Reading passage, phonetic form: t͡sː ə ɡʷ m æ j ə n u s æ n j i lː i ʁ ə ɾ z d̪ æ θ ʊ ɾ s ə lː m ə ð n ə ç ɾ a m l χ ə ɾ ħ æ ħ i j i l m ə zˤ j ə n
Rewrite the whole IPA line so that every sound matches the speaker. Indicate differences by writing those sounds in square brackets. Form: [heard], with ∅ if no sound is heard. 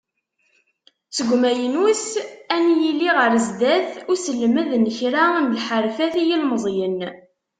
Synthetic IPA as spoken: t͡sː ə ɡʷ m æ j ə n u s æ n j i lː i ʁ ə ɾ z d̪ æ θ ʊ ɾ s ə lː m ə ð n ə ç ɾ a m l [ħ] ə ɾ [f] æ [θ] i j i l m ə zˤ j ə n